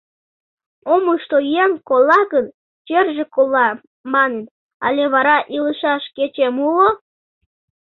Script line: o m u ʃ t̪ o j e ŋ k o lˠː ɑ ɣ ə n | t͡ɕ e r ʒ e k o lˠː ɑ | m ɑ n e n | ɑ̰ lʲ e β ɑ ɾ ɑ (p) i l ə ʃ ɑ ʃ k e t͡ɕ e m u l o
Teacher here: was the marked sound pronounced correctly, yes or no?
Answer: no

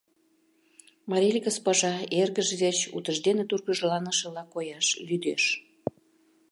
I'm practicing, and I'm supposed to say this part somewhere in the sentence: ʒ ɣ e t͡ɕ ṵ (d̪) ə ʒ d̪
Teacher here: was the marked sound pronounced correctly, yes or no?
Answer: no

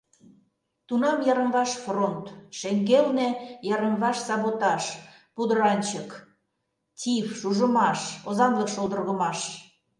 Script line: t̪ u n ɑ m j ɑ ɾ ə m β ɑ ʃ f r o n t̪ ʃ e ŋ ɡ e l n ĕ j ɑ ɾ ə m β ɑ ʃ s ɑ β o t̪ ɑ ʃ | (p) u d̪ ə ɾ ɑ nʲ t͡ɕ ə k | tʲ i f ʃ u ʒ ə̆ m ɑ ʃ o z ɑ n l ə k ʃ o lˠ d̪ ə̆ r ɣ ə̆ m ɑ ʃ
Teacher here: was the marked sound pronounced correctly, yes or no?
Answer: yes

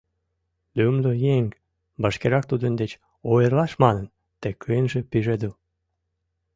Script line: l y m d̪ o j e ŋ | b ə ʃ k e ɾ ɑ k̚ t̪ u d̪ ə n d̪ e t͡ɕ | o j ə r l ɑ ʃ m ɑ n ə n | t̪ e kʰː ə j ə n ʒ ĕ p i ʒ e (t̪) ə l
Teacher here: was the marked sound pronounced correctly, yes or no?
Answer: no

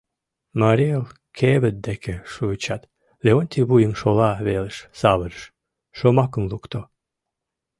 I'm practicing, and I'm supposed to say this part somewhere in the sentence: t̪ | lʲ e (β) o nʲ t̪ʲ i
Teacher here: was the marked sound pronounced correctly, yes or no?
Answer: no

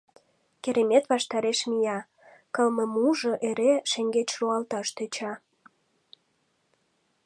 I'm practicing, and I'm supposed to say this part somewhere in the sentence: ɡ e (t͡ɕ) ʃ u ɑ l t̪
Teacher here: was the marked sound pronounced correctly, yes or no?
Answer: yes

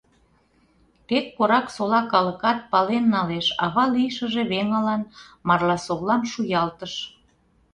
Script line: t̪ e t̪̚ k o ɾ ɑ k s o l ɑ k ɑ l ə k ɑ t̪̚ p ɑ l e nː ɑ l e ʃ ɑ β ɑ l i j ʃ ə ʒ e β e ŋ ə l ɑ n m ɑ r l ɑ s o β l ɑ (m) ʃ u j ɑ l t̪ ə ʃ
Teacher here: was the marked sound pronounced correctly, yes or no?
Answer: yes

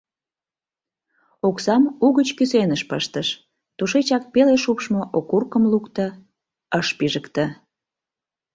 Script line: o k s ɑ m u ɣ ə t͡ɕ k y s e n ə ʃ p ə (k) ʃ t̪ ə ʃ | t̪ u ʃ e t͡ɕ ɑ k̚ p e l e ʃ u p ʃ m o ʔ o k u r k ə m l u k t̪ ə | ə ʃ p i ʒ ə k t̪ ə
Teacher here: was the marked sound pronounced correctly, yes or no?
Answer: no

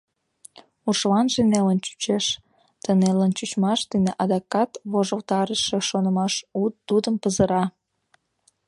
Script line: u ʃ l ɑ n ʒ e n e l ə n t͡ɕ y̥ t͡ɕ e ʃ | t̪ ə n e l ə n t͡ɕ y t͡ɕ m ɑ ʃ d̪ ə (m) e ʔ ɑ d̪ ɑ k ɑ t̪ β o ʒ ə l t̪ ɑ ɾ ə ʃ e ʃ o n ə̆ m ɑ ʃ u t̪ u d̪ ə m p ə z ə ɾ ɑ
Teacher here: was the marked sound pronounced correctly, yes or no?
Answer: no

